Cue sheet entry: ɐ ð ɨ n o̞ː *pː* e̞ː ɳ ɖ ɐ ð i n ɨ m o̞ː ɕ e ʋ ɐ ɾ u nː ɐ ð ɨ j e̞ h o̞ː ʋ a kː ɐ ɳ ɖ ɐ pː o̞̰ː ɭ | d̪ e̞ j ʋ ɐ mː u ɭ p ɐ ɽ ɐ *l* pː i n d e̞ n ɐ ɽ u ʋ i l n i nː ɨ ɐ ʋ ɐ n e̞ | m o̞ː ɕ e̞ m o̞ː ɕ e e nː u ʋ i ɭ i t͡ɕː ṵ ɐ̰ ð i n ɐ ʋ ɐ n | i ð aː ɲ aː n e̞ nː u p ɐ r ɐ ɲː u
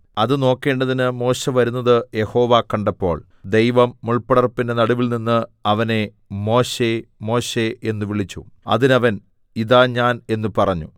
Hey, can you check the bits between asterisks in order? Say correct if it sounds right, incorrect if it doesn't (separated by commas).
incorrect, incorrect